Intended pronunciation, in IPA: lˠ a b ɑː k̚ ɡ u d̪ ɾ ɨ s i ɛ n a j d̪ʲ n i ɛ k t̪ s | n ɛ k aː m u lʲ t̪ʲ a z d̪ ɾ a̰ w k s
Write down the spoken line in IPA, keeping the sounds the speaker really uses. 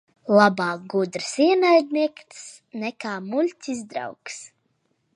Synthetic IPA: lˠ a b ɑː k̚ ɡ u d̪ ɾ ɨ s i ɛ n a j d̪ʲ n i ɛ k t̪ s | n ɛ k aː m u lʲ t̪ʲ i z d̪ ɾ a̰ w k s

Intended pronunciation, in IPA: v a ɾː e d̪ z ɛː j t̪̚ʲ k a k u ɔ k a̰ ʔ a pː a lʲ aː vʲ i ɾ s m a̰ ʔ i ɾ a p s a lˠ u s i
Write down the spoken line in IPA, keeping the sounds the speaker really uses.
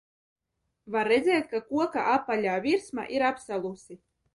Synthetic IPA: v a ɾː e d̪ z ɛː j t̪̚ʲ k a k u ɔ k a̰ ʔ a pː a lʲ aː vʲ i ɾ s m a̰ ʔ i ɾ a p s a lˠ u s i

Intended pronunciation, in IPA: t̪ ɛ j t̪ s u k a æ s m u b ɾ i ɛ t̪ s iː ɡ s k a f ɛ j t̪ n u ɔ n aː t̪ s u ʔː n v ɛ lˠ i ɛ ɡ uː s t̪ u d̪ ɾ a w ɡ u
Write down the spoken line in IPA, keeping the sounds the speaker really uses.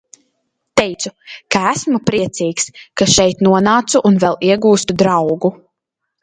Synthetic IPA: t̪ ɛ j t̪ s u k a æ s m u p ɾ i ɛ t̪ s iː k s k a ʃ ɛ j t̪ n u ɔ n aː t̪ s u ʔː n v ɛ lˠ i ɛ ɡ uː s t̪ u d̪ ɾ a w ɡ u

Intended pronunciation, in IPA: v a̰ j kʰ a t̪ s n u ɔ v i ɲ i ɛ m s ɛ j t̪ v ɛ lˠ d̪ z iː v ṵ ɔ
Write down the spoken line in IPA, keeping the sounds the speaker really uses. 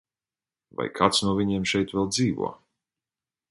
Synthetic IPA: v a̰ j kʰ a t̪ s n u ɔ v i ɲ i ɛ m ʃ ɛ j t̪ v ɛ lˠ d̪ z iː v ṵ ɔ

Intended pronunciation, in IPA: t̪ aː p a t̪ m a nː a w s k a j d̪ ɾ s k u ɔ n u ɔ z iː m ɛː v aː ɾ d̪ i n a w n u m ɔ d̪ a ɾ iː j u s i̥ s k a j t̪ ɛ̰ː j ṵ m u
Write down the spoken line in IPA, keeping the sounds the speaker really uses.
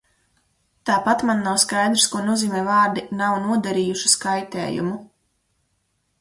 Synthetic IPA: t̪ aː p a t̪ m a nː a w s k a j d̪ ɾ s k u ɔ n u ɔ z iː m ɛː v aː ɾ d̪ i n a w n u ɔ d̪ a ɾ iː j u ʃ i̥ s k a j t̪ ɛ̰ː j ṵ m u

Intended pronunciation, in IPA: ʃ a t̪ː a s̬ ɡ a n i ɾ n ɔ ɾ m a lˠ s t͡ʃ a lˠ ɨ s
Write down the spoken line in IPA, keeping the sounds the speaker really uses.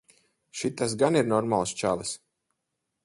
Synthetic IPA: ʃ i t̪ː a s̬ ɡ a n i ɾ n ɔ ɾ m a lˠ s t͡ʃ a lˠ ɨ s

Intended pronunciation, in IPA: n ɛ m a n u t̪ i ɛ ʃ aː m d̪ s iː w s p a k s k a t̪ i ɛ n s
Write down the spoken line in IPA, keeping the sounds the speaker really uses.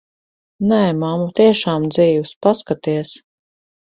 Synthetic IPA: n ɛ m a m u t̪ i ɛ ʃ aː m d̪ z iː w s p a s k a t̪ i ɛ s

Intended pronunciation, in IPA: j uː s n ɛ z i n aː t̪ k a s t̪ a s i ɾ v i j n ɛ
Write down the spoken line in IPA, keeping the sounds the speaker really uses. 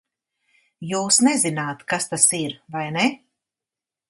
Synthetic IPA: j uː s n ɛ z i n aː t̪ k a s t̪ a s i ɾ v a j n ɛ

